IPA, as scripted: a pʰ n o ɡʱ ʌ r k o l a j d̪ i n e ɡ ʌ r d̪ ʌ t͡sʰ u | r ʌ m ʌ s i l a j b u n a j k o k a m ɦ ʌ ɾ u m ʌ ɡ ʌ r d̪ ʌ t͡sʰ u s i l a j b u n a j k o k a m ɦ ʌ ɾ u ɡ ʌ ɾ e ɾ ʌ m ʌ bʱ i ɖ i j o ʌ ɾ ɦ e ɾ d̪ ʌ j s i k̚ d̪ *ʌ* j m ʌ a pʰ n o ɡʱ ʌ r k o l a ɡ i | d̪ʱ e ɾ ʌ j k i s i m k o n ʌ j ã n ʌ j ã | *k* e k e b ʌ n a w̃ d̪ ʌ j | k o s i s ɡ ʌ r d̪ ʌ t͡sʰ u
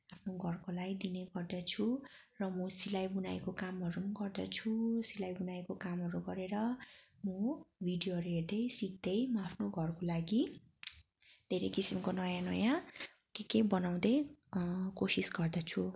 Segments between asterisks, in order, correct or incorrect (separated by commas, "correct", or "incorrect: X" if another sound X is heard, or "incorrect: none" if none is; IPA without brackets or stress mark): correct, correct